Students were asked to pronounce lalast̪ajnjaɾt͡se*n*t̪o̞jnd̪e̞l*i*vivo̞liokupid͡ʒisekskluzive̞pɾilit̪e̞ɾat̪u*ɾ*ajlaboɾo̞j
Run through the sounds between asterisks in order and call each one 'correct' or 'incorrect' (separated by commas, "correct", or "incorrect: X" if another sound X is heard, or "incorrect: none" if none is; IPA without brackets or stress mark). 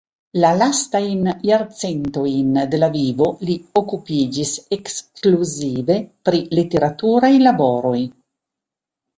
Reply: correct, incorrect: a, correct